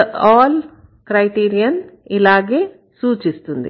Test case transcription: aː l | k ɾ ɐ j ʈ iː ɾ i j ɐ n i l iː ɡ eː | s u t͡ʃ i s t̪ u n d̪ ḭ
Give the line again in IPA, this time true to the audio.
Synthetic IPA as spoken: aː l | k ɾ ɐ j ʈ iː ɾ i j ɐ n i l aː ɡ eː | s uː t͡ʃ i s t̪ u n d̪ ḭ